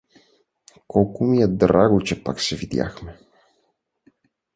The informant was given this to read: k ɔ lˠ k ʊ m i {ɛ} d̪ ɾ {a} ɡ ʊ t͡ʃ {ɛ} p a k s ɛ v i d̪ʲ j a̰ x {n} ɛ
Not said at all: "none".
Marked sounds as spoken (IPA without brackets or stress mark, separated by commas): ɛ, a, ɛ, m